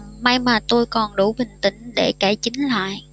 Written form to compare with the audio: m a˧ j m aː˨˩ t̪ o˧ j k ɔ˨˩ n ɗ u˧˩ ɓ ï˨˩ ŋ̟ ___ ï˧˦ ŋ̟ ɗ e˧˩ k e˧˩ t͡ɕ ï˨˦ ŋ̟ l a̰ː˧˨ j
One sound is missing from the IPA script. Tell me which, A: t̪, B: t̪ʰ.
A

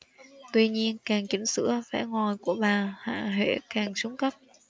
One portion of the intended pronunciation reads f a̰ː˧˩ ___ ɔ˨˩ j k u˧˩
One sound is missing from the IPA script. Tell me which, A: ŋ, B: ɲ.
A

